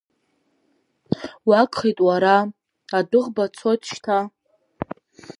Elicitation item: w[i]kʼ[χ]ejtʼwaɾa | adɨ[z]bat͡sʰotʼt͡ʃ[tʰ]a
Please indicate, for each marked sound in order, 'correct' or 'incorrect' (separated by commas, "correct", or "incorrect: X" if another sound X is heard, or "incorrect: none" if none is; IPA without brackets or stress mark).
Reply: incorrect: a, correct, incorrect: ʁ, correct